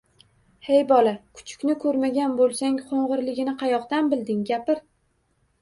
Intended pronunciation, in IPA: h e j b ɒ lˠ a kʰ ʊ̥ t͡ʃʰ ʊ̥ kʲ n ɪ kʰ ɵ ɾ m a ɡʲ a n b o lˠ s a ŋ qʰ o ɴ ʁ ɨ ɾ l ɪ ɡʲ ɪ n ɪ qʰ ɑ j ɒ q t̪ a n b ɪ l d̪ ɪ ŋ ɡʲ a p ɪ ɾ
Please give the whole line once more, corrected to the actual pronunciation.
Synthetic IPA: h e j b ɒ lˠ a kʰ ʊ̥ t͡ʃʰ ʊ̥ kʲ n ɪ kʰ ɵ ɾ m a ɡʲ a n b o lˠ s a ŋ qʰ o ɴ ʁ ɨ ɾ l ɪ ɡʲ ɪ n ɪ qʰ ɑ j ɒ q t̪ a n b ɪ l d̪ ɪ ŋ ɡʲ a p ɪ ɾ